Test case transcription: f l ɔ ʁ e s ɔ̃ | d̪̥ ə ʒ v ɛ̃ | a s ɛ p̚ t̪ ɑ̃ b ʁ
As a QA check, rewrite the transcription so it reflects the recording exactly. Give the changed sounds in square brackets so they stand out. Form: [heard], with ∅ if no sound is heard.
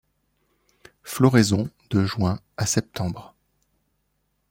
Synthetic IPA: f l ɔ ʁ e [z] ɔ̃ | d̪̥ ə ʒ [w] ɛ̃ | a s ɛ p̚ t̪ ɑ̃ b ʁ